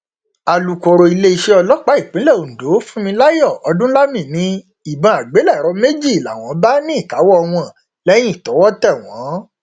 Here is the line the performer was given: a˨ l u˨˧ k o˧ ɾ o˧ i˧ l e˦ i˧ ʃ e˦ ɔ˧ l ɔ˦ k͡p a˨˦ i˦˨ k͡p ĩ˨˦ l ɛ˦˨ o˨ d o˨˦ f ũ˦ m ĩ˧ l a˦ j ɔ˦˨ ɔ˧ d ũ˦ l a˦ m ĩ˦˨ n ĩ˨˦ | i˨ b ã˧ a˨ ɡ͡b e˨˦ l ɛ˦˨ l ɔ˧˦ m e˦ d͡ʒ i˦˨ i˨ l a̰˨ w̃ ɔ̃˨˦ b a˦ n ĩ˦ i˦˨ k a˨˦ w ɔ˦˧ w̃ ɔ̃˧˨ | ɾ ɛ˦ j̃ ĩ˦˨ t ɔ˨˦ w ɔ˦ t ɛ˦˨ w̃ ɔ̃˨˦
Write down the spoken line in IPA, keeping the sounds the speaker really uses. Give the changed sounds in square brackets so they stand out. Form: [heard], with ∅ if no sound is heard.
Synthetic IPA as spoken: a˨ l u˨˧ k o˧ ɾ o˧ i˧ l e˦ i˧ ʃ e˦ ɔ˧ l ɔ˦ k͡p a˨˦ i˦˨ k͡p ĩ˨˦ l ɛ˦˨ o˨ d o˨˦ f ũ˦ m ĩ˧ l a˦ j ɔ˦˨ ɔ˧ d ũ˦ l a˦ m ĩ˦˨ n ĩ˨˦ | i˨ b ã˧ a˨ ɡ͡b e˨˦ l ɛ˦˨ [ɾ] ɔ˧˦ m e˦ d͡ʒ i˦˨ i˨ l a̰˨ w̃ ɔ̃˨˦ b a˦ n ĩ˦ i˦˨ k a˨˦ w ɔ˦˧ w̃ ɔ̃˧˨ | [l] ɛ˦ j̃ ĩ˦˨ t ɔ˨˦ w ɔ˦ t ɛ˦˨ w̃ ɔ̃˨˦

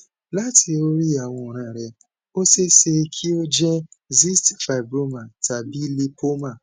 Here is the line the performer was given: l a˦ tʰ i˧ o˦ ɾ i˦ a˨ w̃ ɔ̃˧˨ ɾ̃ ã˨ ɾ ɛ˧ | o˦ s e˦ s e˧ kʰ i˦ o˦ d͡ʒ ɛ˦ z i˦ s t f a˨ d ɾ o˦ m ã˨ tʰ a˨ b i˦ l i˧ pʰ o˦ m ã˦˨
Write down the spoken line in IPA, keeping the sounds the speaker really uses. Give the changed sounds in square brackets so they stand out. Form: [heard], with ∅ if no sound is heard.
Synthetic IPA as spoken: l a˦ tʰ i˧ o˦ ɾ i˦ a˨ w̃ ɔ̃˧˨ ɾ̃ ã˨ ɾ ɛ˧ | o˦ s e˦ s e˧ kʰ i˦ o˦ d͡ʒ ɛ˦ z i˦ s t f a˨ [b] ɾ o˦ m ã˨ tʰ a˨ b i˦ l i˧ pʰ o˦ m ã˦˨

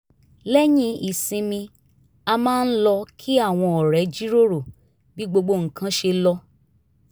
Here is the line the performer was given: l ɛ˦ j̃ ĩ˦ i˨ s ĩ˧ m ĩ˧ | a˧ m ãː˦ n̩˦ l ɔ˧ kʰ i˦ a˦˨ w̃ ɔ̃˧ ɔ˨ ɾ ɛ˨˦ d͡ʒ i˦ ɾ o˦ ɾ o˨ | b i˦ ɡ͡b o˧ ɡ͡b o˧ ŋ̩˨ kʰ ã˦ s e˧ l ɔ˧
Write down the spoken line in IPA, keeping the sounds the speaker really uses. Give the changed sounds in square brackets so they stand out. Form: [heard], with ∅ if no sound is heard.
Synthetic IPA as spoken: l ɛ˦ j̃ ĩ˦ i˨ s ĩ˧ m ĩ˧ | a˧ m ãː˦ n̩˦ l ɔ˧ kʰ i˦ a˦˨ w̃ ɔ̃˧ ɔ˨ ɾ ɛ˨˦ d͡ʒ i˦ ɾ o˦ ɾ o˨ | b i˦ ɡ͡b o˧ ɡ͡b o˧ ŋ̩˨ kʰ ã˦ [ʃ] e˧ l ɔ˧

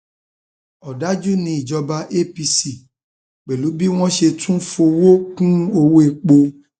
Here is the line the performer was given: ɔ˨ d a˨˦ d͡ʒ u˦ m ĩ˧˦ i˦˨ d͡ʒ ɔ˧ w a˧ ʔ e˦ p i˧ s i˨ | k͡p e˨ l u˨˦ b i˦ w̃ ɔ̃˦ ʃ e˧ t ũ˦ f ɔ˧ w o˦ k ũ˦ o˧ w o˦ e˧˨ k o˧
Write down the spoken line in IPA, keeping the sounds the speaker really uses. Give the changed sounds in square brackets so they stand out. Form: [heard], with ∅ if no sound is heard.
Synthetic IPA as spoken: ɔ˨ d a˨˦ d͡ʒ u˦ [n] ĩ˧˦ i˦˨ d͡ʒ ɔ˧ [b] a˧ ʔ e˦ p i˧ s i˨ | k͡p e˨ l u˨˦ b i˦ w̃ ɔ̃˦ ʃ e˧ t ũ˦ f [o˧] w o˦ k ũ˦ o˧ w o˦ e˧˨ [k͡p] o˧

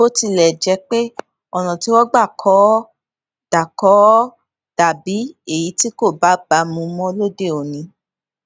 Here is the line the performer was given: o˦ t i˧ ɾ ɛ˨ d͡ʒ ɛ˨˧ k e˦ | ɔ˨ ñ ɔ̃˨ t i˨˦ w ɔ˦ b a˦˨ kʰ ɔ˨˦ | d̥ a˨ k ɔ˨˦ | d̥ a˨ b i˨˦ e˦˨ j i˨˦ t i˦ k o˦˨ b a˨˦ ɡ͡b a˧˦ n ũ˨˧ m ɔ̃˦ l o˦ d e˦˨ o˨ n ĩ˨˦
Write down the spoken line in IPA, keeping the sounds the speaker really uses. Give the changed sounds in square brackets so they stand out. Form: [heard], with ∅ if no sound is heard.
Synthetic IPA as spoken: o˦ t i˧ [l] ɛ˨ d͡ʒ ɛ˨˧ [k͡p] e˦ | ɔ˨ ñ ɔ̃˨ t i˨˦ w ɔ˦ [ɡ͡b] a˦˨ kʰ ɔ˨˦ | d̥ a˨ k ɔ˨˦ | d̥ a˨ b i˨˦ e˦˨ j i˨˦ t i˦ k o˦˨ b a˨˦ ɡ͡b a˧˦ [m] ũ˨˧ m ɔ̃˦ l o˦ d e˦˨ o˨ n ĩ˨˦

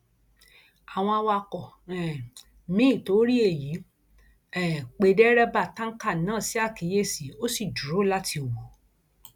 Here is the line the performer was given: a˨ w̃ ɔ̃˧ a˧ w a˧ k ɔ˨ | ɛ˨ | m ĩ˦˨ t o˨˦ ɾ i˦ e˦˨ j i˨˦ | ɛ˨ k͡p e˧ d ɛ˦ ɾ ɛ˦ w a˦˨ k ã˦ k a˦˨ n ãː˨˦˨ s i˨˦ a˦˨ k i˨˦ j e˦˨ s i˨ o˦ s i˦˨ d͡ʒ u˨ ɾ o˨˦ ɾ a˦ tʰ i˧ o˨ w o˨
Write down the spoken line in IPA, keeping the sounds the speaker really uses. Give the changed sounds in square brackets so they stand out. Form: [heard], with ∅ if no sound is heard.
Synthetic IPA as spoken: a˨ w̃ ɔ̃˧ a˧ w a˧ k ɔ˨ | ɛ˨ | m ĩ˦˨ t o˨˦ ɾ i˦ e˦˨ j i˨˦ | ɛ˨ k͡p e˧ d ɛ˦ ɾ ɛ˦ [b] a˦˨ [t] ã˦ k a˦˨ n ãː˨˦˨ s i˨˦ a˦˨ k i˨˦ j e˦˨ s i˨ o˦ s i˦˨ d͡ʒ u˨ ɾ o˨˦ [l] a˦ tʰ i˧ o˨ w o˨

